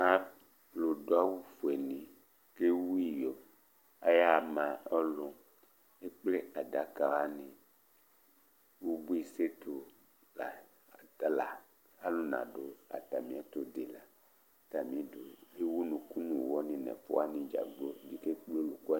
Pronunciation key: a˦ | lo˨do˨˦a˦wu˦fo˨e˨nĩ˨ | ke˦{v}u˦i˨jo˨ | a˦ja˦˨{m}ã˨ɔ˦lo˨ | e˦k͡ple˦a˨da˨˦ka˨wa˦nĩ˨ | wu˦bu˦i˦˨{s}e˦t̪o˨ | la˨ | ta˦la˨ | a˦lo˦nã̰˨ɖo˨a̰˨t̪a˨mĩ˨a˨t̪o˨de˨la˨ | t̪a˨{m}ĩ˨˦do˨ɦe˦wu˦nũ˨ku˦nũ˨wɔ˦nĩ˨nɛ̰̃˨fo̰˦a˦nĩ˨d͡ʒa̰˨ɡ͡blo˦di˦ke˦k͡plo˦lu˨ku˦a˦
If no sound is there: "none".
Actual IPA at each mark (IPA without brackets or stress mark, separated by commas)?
w, m, s, m